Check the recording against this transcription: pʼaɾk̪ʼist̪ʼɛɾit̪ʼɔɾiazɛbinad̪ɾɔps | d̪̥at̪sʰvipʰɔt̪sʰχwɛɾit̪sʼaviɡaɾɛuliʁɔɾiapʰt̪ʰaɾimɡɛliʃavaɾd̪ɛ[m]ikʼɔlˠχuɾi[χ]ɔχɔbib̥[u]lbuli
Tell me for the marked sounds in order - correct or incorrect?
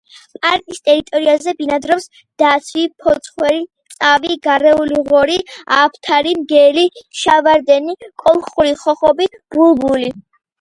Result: incorrect, correct, correct

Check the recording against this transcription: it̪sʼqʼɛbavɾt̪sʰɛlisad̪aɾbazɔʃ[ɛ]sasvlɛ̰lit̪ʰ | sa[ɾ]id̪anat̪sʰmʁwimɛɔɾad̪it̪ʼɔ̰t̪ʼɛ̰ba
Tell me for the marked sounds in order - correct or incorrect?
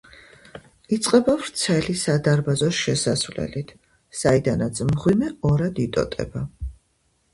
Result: correct, incorrect

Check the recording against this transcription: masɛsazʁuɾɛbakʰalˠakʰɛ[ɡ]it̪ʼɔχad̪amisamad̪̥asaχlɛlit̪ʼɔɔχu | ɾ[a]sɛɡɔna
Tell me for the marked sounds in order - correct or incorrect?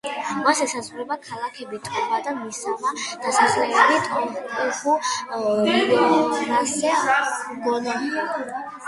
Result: incorrect, correct

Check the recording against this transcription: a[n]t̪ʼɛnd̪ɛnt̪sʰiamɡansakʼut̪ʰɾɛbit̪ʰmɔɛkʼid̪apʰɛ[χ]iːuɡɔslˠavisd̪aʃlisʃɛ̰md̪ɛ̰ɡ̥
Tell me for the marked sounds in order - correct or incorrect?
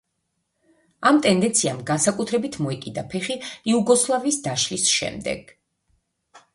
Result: incorrect, correct

